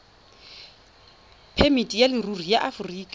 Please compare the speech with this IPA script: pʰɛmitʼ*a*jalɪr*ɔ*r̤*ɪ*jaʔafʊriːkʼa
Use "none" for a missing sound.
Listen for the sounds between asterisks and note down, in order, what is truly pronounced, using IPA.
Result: i, u, i

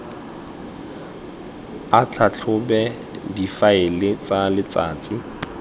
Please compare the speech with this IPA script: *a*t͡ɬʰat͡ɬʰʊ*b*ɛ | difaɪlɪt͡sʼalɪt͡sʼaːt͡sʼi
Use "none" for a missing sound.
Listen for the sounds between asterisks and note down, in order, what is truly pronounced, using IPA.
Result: a, b

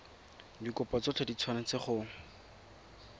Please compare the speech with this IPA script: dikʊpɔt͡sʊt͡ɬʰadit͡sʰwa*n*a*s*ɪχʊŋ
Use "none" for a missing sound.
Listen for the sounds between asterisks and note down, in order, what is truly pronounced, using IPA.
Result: n, t͡s

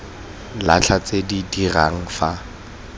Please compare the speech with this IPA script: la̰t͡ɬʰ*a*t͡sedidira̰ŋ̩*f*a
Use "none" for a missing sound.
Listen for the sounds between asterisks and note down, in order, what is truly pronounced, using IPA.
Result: a, f

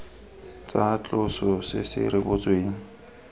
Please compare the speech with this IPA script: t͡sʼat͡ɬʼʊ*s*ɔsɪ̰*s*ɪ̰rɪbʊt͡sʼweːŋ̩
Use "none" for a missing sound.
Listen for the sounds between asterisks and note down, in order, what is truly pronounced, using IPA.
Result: s, s

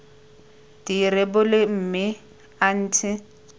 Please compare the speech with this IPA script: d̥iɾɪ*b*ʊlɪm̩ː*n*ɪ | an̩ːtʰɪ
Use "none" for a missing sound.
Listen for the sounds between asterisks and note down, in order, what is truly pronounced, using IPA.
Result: b, m

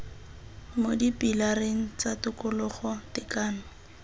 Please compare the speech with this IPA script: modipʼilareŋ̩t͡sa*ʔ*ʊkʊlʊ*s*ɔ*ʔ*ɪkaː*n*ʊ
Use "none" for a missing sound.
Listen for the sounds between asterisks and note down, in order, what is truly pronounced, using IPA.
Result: t, χ, t, n

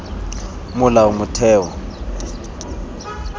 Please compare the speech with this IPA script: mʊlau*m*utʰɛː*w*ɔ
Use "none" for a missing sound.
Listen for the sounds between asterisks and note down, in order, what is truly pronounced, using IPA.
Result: m, w

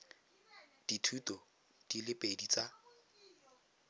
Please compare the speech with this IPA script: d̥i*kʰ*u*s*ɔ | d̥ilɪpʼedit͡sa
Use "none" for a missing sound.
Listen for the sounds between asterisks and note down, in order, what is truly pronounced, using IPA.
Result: tʰ, t

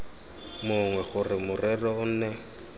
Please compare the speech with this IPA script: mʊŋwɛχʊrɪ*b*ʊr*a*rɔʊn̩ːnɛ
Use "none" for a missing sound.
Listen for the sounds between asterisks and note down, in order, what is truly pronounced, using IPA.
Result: m, ɛ

